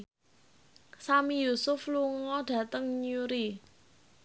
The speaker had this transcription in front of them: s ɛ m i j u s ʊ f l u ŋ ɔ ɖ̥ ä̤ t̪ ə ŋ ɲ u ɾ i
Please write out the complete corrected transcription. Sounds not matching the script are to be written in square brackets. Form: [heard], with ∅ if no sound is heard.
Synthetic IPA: s [a] m i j u s ʊ f l u ŋ ɔ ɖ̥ ä̤ t̪ ə ŋ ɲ u ɾ i

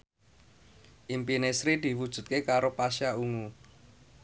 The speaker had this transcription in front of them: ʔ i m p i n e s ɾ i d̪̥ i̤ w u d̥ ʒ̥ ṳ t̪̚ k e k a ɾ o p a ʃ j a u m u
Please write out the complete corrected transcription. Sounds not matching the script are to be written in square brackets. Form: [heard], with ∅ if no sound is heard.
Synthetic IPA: ʔ i m p i n e s ɾ i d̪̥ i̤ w u d̥ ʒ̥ ṳ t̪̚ k e k a ɾ o p a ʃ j a u [ŋ] u

